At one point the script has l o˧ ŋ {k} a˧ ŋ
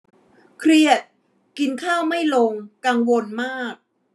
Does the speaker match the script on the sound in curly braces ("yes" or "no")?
yes